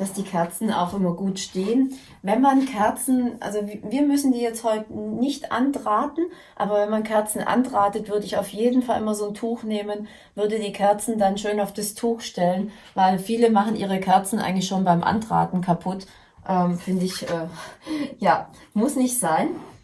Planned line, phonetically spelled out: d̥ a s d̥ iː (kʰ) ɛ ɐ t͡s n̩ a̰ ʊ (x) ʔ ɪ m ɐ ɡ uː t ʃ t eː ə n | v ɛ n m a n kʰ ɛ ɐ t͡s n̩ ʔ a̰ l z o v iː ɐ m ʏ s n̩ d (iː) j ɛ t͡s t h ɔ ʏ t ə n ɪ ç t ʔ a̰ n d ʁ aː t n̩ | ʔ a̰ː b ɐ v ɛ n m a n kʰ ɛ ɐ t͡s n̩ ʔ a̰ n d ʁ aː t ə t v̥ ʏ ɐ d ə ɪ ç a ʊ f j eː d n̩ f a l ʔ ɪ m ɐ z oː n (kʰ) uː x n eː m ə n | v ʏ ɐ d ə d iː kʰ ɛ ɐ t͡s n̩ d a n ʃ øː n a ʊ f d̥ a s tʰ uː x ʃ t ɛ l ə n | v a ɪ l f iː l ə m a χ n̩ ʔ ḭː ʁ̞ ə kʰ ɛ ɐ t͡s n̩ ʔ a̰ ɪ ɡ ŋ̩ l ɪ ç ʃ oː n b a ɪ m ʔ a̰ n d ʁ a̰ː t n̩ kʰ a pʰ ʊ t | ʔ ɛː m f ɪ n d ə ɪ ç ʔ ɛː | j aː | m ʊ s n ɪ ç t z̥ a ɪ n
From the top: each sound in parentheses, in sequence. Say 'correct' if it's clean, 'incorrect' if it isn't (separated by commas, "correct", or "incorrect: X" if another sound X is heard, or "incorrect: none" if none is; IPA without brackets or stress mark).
correct, correct, correct, incorrect: tʰ